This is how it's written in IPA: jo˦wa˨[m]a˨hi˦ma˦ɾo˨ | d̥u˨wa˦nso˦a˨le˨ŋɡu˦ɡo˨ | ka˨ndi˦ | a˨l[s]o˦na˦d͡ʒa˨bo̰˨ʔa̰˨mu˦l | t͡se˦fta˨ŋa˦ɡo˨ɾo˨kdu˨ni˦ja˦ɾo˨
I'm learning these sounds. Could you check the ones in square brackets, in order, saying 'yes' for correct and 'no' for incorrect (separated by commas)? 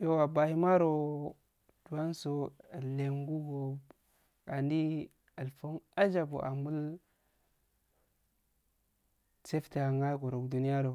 no, no